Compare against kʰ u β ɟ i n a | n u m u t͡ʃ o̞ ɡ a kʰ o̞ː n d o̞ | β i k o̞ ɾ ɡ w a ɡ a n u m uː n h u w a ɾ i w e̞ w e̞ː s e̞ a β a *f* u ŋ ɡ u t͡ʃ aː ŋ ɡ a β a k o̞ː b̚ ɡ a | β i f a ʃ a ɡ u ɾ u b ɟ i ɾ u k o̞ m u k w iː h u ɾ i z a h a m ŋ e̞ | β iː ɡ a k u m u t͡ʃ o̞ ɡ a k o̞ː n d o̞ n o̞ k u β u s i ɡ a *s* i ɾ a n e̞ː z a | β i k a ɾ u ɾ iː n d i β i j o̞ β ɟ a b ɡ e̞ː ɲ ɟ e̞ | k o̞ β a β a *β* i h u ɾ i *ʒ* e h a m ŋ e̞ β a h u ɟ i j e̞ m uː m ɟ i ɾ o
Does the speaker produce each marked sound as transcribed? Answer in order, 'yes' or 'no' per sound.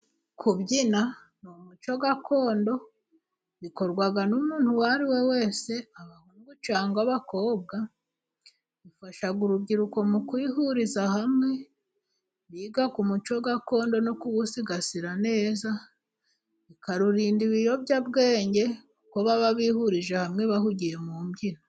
no, yes, yes, yes

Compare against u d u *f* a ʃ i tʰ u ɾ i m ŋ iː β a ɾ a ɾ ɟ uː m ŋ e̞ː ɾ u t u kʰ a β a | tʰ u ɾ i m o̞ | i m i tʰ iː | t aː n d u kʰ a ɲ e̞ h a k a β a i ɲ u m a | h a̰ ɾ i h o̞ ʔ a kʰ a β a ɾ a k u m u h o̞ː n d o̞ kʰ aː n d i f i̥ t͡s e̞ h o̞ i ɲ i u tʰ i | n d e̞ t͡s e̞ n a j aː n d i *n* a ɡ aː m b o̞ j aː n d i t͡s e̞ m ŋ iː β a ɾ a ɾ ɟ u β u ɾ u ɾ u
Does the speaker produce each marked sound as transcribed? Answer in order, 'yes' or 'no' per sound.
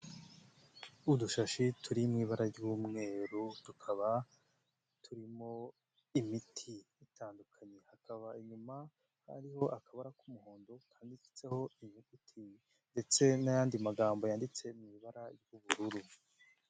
no, no

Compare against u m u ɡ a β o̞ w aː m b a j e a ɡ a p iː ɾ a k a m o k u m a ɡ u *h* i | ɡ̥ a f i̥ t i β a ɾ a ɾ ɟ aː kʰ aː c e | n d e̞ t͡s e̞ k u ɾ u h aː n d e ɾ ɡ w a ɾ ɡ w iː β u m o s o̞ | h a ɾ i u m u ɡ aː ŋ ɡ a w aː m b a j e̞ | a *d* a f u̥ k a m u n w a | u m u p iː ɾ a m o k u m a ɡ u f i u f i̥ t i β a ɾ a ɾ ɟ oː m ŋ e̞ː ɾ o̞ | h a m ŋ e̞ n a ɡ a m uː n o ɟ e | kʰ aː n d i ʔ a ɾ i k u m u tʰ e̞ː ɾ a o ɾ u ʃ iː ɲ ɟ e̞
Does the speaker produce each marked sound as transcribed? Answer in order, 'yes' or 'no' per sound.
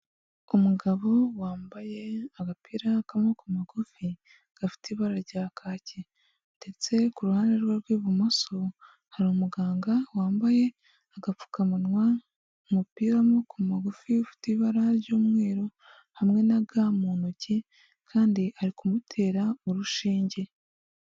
no, no

